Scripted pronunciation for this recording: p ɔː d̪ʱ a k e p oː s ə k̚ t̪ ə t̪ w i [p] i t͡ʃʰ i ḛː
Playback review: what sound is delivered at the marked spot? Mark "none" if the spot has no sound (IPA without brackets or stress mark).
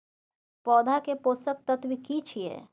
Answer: k